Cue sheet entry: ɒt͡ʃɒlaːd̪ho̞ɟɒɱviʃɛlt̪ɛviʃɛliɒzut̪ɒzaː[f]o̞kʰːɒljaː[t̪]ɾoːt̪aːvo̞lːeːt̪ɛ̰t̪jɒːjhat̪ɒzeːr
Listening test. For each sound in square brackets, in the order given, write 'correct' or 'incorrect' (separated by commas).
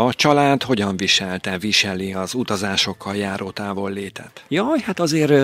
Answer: incorrect, incorrect